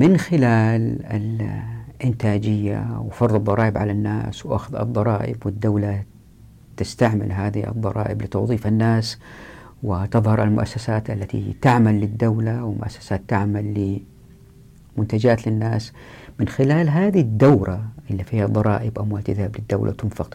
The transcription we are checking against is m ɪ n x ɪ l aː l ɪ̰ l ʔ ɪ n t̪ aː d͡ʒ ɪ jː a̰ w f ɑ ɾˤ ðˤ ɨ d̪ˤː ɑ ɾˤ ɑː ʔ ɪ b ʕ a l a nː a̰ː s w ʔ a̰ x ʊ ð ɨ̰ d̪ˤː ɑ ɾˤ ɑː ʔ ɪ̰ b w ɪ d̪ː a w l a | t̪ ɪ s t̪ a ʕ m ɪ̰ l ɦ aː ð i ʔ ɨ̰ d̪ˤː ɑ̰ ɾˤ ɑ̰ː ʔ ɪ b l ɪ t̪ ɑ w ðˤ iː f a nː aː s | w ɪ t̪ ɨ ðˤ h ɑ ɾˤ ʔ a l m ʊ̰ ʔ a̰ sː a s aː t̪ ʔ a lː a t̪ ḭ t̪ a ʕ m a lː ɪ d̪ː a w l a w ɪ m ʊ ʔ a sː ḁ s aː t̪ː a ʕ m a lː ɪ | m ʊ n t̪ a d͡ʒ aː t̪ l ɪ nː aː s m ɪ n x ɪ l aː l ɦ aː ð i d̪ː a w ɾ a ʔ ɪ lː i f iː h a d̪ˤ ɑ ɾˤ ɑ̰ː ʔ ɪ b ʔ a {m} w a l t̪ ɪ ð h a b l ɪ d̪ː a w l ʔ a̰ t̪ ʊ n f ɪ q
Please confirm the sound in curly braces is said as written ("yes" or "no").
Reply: yes